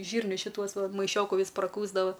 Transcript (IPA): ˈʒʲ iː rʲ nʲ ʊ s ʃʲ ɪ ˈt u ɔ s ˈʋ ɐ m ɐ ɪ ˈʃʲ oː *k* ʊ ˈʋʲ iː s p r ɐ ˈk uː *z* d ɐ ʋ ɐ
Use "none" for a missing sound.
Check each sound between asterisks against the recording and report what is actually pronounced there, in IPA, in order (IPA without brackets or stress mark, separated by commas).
k, z